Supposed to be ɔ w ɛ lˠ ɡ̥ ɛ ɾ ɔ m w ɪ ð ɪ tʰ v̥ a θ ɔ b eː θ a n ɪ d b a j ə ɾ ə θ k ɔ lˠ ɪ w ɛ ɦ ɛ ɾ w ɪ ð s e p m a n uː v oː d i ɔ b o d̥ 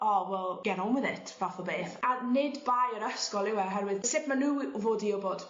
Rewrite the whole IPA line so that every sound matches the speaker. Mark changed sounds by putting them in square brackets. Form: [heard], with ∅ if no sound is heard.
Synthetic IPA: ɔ w ɛ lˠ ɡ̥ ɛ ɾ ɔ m w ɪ ð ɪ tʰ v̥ a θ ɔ b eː θ a n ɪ d b a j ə ɾ ə [s] k ɔ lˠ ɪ w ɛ ɦ ɛ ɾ w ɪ ð s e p m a n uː v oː d i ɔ b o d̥